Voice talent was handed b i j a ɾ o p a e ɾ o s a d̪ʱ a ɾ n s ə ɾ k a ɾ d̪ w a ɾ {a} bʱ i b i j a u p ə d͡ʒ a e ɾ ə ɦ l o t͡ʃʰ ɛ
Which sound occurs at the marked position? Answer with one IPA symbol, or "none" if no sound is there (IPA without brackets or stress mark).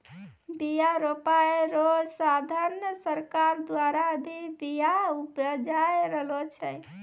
a